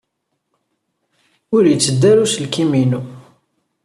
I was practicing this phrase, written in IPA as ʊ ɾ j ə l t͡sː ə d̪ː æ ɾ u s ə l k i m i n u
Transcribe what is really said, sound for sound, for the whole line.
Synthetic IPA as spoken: ʊ ɾ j ə t͡sː ə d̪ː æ ɾ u s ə l k i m i n u

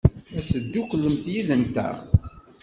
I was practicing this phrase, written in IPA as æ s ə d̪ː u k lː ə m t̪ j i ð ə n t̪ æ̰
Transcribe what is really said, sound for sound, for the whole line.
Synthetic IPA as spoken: æ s ə d̪ː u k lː ə m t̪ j i ð ə n t̪ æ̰

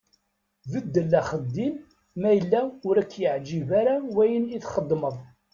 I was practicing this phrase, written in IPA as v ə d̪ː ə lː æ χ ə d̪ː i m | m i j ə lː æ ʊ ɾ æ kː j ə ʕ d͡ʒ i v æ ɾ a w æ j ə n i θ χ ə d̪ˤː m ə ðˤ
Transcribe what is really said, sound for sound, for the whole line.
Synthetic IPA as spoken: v ə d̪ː ə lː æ χ ə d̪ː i m | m æ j ə lː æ ʊ ɾ æ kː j ə ʕ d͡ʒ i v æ ɾ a w æ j ə n i θ χ ə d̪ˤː m ə ðˤ

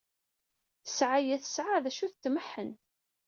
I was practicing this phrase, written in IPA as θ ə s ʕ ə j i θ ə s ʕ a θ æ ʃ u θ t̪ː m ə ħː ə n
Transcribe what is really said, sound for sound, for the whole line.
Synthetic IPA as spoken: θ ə s ʕ a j æ θ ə s ʕ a ð æ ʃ u θ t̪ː m ə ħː ə n

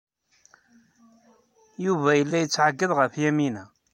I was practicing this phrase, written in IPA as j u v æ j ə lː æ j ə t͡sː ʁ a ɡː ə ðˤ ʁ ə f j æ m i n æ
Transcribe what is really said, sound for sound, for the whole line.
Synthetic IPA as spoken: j u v æ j ə lː æ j ə t͡sː ʕ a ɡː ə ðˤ ʁ ə f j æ m i n æ

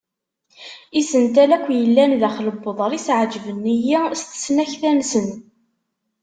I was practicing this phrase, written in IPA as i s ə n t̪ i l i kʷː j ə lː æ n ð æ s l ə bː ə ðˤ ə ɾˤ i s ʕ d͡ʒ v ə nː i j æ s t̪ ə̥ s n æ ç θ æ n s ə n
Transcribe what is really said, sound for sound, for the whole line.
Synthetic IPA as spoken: i s ə n t̪ æ l æ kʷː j ə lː æ n ð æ χ l ə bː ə ðˤ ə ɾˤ i s ʕ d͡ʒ v ə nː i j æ s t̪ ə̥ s n æ ç θ æ n s ə n

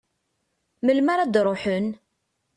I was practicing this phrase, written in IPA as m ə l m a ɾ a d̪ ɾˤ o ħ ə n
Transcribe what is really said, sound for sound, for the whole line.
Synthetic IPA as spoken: m ə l m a ɾ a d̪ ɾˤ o ħ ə n

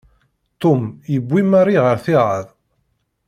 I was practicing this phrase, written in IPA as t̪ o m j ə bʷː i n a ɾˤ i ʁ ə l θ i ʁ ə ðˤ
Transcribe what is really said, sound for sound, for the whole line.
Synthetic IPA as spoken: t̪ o m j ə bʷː i m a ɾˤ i ʁ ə ɾ θ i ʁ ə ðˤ

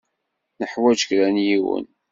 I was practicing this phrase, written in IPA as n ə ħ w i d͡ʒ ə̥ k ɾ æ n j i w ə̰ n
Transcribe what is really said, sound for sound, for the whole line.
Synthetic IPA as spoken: n ə ħ w æ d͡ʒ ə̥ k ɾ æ n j i w ə̰ n

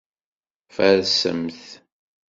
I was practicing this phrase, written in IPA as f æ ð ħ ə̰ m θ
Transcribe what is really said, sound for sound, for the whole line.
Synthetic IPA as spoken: f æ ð s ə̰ m θ

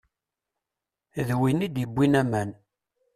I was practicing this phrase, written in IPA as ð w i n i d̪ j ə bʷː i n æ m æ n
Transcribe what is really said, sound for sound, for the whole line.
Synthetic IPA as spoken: ð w i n i d̪ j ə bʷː i n æ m æ n

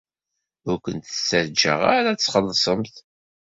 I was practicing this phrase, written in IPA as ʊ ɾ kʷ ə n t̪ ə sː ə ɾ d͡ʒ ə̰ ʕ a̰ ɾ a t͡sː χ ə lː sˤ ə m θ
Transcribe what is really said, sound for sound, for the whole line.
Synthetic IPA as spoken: ʊ ɾ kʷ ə n t̪ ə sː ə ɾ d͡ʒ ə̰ ʁ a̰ ɾ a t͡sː χ ə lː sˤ ə m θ

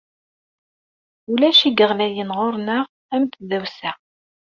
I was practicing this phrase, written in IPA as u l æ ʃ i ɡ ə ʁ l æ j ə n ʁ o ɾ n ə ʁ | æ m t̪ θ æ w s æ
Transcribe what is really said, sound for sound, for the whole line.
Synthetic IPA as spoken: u l æ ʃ i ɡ ə ʁ l æ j ə n ʁ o ɾ n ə ʁ | æ m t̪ ð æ w s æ

